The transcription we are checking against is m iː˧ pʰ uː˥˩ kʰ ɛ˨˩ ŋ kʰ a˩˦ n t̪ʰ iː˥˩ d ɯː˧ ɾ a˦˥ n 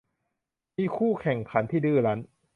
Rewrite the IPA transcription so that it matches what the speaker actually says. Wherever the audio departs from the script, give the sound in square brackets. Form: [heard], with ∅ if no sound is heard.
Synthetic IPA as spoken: m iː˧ [kʰ] uː˥˩ kʰ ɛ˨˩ ŋ kʰ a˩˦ n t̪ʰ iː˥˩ d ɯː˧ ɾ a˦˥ n